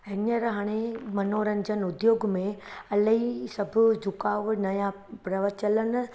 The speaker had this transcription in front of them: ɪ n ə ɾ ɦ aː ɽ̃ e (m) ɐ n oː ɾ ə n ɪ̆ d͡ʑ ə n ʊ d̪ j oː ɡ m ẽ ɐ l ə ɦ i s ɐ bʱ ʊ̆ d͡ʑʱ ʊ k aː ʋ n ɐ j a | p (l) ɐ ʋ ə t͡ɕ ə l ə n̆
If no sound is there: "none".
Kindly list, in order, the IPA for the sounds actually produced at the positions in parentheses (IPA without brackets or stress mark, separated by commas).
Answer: m, ɾ